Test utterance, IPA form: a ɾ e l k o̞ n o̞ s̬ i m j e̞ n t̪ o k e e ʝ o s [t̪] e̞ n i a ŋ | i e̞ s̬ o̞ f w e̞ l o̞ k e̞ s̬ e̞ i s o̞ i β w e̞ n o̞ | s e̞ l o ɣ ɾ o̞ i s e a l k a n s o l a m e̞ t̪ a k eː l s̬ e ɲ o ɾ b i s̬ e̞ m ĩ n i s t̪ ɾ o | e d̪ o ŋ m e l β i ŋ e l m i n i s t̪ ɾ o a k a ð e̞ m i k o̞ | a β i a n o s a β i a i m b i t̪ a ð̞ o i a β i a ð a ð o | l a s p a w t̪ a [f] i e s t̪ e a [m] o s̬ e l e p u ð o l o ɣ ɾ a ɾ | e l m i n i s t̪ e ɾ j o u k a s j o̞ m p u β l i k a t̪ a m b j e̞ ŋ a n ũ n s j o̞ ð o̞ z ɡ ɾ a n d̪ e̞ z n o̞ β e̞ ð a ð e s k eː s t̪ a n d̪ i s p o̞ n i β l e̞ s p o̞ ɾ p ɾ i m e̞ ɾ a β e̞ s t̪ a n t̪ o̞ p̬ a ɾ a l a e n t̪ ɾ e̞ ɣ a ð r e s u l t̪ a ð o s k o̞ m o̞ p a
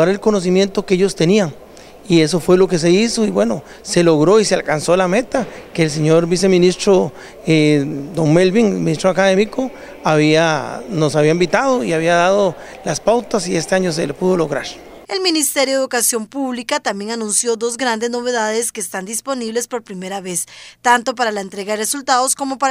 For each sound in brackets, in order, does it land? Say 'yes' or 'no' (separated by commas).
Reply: yes, no, no